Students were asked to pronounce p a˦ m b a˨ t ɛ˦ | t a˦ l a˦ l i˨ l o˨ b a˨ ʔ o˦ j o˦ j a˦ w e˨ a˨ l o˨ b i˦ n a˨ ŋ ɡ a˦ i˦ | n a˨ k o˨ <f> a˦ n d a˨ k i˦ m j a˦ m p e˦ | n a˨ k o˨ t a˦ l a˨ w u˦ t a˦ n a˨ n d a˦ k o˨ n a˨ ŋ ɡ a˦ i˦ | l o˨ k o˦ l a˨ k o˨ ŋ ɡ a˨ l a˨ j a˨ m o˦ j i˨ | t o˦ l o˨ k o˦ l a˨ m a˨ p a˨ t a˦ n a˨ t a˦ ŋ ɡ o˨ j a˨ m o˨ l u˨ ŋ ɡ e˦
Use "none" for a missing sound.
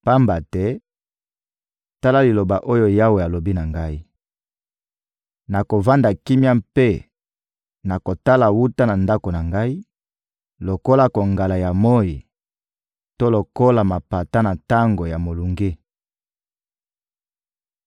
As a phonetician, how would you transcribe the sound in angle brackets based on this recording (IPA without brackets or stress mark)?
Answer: v